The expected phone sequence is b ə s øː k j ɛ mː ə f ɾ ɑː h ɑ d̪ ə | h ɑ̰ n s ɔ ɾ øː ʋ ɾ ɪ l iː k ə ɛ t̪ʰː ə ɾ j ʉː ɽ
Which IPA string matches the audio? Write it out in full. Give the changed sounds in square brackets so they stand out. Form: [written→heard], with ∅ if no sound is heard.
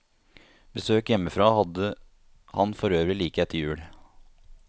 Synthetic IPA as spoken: b ə s øː k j ɛ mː ə f ɾ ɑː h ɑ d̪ ə | h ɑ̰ n [s→f] ɔ ɾ øː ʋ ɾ ɪ l iː k ə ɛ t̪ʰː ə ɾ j ʉː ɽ